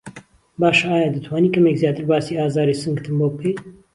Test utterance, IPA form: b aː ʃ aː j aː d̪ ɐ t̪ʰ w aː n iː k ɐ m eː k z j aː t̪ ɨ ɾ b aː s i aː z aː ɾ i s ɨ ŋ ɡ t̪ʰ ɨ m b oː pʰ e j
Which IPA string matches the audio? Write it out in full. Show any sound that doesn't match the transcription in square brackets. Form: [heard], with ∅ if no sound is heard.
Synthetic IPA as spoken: b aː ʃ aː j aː d̪ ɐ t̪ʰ w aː n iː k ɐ m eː k z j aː t̪ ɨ ɾ b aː s i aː z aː ɾ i s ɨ ŋ ɡ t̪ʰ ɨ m b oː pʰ e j